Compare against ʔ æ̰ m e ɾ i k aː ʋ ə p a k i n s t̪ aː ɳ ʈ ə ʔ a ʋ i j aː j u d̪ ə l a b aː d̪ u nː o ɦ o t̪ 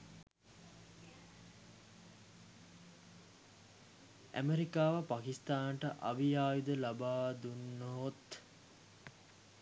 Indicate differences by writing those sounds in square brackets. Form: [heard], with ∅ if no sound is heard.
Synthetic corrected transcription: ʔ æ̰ m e ɾ i k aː ʋ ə p a k i [∅] s t̪ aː [n] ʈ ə ʔ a ʋ i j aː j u d̪ ə l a b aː d̪ u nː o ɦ o t̪